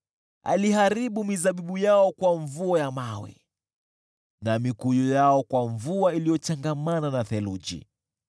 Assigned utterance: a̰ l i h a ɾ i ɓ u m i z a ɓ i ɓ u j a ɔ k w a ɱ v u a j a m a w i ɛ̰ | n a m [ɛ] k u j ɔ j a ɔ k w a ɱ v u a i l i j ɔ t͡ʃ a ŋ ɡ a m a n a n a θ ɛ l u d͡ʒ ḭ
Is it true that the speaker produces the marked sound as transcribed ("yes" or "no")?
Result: no